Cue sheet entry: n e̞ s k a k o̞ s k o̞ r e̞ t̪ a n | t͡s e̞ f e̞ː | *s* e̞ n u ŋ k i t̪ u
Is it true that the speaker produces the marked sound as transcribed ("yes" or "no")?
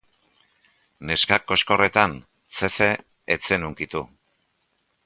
no